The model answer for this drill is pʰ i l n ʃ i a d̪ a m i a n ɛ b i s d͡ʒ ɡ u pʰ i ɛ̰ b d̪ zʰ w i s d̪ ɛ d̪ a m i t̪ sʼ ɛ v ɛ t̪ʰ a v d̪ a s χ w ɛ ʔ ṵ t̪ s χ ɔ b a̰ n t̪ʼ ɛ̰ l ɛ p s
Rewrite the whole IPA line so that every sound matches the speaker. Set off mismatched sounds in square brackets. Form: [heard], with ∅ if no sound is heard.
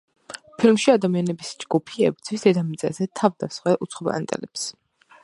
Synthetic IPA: pʰ i l [m] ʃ i a d̪ a m i a n ɛ b i s d͡ʒ ɡ u pʰ i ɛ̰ b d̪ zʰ w i s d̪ ɛ d̪ a m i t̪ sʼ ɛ [z] ɛ t̪ʰ a v d̪ a s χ w ɛ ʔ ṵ t̪ s χ ɔ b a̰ n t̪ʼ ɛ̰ l ɛ p s